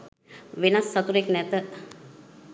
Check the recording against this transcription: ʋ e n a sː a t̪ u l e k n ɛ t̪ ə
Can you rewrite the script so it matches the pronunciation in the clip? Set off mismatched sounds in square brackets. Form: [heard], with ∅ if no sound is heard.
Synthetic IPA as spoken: ʋ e n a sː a t̪ u [ɾ] e k n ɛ t̪ ə